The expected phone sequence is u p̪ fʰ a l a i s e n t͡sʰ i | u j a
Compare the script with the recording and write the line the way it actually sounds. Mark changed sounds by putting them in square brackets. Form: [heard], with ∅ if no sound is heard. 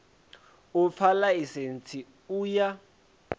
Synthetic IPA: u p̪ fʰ a l a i s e n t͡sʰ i | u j a